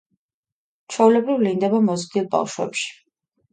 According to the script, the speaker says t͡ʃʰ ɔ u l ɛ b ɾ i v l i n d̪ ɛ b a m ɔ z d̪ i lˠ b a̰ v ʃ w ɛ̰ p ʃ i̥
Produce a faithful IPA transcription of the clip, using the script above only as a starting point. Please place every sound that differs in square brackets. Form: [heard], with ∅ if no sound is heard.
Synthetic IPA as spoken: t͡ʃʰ ɔ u l ɛ b ɾ i v l i n d̪ ɛ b a m ɔ z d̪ i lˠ b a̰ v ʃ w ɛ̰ p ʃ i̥

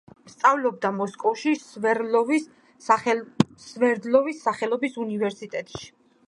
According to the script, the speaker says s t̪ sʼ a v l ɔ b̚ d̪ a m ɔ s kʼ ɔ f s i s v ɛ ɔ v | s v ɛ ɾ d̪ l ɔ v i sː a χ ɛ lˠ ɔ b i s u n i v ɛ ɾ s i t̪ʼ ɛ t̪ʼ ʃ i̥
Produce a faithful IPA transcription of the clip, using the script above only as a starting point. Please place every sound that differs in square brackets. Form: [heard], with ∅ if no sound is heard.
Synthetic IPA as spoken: s t̪ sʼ a v l ɔ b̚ d̪ a m ɔ s kʼ ɔ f [ʃ] i s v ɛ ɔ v | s v ɛ ɾ d̪ l ɔ v i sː a χ ɛ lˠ ɔ b i s u n i v ɛ ɾ s i t̪ʼ ɛ t̪ʼ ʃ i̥

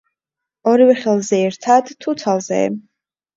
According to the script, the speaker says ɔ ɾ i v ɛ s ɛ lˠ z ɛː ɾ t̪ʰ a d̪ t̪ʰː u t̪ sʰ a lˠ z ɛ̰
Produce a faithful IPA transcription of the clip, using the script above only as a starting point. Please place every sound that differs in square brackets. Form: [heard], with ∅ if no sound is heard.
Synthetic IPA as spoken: ɔ ɾ i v ɛ [χ] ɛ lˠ z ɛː ɾ t̪ʰ a d̪ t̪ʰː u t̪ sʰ a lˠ z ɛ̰

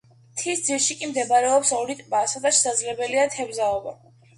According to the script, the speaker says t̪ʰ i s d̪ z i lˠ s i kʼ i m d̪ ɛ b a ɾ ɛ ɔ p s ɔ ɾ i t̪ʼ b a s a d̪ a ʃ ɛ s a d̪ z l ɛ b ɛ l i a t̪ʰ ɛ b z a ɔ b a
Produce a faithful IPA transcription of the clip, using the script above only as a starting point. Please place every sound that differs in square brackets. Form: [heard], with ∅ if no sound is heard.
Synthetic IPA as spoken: t̪ʰ i s d̪ z i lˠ [ʃ] i kʼ i m d̪ ɛ b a ɾ ɛ ɔ p s ɔ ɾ i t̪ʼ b a s a d̪ a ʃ ɛ s a d̪ z l ɛ b ɛ l i a t̪ʰ ɛ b z a ɔ b a

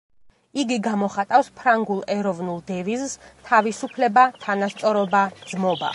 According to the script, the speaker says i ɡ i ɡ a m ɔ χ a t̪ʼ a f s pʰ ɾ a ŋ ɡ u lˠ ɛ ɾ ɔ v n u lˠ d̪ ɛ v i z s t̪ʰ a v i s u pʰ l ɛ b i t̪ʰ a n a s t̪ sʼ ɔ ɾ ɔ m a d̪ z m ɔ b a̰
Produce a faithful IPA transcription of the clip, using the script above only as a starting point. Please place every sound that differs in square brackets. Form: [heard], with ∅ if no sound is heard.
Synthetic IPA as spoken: i ɡ i ɡ a m ɔ χ a t̪ʼ a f s pʰ ɾ a ŋ ɡ u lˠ ɛ ɾ ɔ v n u lˠ d̪ ɛ v i z s t̪ʰ a v i s u pʰ l ɛ b [a] t̪ʰ a n a s t̪ sʼ ɔ ɾ ɔ [b] a d̪ z m ɔ b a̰

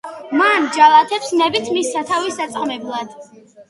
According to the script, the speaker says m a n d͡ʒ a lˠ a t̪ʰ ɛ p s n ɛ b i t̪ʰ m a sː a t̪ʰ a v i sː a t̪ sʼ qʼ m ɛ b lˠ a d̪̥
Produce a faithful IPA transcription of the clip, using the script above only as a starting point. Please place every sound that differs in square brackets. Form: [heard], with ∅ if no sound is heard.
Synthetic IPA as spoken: m a n d͡ʒ a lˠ a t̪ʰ ɛ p s n ɛ b i t̪ʰ m [i] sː a t̪ʰ a v i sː a t̪ sʼ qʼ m ɛ b lˠ a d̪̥

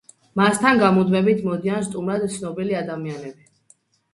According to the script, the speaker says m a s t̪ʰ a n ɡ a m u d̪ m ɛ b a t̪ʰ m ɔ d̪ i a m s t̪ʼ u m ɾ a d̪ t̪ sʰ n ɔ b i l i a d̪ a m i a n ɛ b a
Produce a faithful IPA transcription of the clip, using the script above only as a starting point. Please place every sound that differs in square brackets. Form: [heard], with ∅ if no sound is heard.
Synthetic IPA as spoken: m a s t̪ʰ a n ɡ a m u d̪ m ɛ b [i] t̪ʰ m ɔ d̪ i a [n] s t̪ʼ u m ɾ a d̪ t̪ sʰ n ɔ b i l i a d̪ a m i a n ɛ b [i]

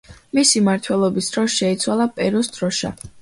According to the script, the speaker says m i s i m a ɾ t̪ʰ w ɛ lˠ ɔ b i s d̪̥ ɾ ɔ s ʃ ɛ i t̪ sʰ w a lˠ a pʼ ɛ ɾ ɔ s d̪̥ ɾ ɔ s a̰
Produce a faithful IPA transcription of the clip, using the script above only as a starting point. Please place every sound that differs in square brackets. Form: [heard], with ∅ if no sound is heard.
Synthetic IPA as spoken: m i s i m a ɾ t̪ʰ w ɛ lˠ ɔ b i s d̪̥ ɾ ɔ s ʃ ɛ i t̪ sʰ w a lˠ a pʼ ɛ ɾ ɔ s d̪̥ ɾ ɔ [ʃ] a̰

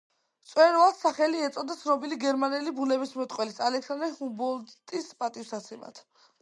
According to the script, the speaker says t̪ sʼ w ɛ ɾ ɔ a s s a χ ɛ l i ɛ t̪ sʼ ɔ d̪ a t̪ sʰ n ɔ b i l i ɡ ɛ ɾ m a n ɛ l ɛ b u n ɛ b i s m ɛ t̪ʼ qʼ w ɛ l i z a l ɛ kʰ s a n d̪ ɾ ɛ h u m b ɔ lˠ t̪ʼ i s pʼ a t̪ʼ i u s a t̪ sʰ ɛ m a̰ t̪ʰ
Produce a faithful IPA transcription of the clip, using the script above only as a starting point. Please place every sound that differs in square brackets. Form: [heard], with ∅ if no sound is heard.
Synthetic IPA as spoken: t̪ sʼ w ɛ ɾ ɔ a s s a χ ɛ l i ɛ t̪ sʼ ɔ d̪ a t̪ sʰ n ɔ b i l i ɡ ɛ ɾ m a n ɛ l [i] b u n ɛ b i s m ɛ t̪ʼ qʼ w ɛ l i [s] a l ɛ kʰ s a n d̪ ɾ ɛ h u m b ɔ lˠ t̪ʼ i s pʼ a t̪ʼ i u s a t̪ sʰ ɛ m a̰ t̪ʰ

